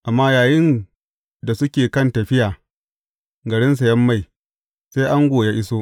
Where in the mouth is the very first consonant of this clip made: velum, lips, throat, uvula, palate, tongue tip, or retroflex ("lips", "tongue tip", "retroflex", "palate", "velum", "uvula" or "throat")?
throat